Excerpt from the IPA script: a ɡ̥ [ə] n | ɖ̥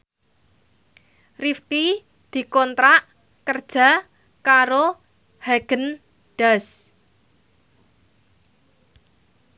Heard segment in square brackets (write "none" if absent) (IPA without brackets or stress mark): ə